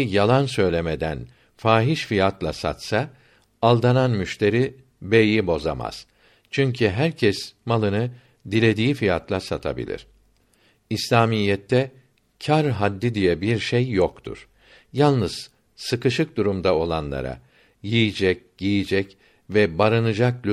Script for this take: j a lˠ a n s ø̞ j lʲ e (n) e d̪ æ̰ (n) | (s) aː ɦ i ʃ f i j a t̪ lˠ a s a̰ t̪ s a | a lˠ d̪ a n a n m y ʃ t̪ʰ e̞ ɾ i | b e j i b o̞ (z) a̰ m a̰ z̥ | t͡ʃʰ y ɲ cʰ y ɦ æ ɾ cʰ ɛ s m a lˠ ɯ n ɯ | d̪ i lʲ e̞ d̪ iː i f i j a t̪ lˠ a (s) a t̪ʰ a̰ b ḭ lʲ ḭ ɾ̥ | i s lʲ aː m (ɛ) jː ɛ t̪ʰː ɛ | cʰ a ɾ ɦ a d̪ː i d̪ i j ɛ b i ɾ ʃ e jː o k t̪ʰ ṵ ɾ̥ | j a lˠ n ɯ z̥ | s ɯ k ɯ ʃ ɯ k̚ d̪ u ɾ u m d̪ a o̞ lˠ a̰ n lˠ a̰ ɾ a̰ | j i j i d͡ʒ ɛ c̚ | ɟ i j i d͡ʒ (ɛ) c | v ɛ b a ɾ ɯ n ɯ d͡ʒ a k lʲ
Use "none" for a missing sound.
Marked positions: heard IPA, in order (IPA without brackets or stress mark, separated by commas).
m, n, f, z, s, i, ɛ